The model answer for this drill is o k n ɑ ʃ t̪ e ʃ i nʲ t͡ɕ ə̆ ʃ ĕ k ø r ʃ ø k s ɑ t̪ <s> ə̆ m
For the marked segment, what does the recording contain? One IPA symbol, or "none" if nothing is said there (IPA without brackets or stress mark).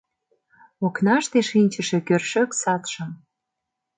ʃ